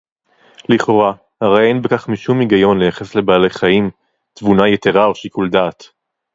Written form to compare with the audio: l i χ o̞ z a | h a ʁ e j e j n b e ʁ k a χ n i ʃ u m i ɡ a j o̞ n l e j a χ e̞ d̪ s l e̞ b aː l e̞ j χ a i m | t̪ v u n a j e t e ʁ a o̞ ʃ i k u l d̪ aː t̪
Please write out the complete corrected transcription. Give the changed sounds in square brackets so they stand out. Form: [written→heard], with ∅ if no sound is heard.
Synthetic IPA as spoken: l i χ o̞ [z→ʁ] a | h a ʁ e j e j n b e [ʁ→∅] k a χ [n→m] i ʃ u m i ɡ a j o̞ n l e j a χ e̞ [d̪→∅] s l e̞ b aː l e̞ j χ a i m | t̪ v u n a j e t e ʁ a o̞ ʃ i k u l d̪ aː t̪